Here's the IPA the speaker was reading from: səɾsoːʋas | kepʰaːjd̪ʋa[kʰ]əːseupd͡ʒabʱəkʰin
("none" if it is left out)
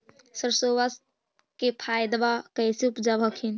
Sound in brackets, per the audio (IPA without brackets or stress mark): k